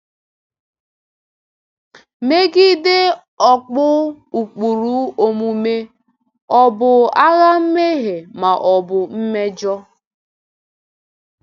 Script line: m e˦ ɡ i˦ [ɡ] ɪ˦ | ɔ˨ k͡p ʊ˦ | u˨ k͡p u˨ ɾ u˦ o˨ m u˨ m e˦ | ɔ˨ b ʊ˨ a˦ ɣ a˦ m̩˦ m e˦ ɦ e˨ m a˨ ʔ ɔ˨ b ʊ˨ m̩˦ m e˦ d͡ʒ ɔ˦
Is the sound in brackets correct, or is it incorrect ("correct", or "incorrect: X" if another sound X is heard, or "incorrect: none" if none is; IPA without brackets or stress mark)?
incorrect: d